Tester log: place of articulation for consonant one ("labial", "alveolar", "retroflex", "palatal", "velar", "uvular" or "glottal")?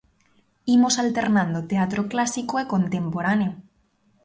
labial